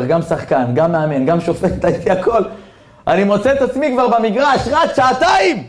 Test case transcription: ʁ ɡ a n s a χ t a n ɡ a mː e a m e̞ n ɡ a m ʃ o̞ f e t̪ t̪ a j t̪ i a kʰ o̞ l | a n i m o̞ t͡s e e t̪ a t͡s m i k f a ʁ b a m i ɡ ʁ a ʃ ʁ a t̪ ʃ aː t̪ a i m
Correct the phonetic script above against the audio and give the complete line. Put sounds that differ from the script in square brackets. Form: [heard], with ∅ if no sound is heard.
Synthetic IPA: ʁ ɡ a [m] s a χ [k] a n ɡ a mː e a m e̞ n ɡ a m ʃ o̞ f e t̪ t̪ a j t̪ i a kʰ o̞ l | a n i m o̞ t͡s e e t̪ a t͡s m i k [v] a ʁ b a m i ɡ ʁ a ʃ ʁ a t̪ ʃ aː t̪ a i m